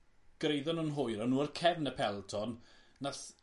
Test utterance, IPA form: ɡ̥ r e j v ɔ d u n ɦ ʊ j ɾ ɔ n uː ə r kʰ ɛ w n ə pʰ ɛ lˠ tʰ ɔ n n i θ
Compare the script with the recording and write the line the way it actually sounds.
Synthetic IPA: ɡ̥ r e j ð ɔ n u n ɦ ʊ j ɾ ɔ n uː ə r kʰ ɛ v n ə pʰ ɛ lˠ tʰ ɔ n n a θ